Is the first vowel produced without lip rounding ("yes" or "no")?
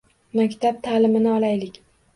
yes